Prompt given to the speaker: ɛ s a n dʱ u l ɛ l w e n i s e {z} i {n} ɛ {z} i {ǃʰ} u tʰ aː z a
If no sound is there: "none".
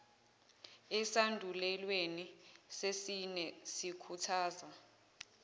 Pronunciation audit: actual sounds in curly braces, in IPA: s, n, s, kʰ

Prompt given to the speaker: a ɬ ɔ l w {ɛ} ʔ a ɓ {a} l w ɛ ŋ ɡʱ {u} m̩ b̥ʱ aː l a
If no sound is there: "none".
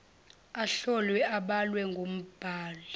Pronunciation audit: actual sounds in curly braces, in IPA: ɛ, a, o

